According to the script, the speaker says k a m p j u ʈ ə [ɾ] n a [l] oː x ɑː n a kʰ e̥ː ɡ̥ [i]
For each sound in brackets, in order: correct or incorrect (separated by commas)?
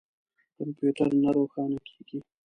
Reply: correct, incorrect, correct